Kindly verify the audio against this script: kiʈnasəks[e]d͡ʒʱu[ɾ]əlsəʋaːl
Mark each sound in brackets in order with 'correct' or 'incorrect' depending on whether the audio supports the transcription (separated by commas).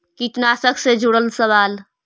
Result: correct, incorrect